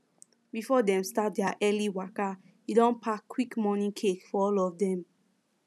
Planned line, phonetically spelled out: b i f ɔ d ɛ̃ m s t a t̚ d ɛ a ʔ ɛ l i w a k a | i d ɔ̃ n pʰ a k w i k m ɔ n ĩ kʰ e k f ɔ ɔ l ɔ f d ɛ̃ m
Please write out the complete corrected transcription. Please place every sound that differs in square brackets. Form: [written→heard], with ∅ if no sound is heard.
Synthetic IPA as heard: b i f ɔ d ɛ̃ m s t a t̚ d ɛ a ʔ ɛ l i w a k a | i d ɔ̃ n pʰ a k w i k m ɔ n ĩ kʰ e k f ɔ ɔ l ɔ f d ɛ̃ m